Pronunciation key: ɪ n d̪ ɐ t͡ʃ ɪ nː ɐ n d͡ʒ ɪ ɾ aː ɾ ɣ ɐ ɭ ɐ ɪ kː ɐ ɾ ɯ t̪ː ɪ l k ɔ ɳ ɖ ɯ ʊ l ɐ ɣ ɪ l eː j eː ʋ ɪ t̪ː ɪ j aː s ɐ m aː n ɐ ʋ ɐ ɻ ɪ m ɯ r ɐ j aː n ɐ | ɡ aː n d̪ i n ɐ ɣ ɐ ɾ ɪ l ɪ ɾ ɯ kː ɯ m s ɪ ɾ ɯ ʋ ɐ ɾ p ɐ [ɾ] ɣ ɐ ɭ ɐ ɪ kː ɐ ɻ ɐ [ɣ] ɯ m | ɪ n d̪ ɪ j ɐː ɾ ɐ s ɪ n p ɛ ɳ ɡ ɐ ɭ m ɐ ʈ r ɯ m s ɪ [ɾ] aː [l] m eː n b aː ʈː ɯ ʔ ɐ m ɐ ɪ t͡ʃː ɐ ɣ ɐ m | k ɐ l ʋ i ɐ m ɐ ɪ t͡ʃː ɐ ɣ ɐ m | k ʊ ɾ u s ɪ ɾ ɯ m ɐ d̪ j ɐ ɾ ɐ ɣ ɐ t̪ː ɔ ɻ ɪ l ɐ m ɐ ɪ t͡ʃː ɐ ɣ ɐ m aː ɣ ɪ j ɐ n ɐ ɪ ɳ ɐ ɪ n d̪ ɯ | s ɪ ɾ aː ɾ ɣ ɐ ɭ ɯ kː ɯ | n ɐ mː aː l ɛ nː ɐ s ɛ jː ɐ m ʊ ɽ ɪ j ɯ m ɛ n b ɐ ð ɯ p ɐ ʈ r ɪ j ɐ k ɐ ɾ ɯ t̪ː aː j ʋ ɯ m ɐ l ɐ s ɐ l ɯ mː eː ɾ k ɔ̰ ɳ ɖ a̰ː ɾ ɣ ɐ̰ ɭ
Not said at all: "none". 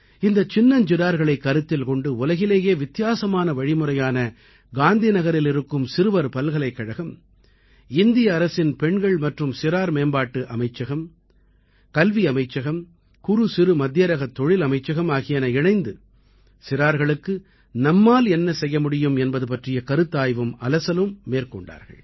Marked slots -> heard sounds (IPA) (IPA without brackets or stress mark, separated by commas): l, ɣ, ɾ, ɾ